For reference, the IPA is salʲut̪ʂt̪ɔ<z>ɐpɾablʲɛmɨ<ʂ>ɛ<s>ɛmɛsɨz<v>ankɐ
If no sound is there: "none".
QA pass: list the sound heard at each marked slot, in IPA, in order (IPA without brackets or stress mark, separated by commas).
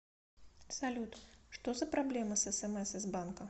z, s, s, b